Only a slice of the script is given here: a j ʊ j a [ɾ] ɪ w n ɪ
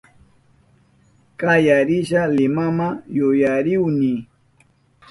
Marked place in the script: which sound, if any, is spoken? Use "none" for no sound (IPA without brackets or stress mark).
ɾ